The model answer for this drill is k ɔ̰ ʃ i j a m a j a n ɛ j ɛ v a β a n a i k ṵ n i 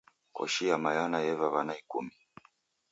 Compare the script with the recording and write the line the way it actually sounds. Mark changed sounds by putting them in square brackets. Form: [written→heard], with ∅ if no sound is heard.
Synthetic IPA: k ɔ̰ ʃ i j a m a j a n [ɛ→a] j ɛ v a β a n a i k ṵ [n→m] i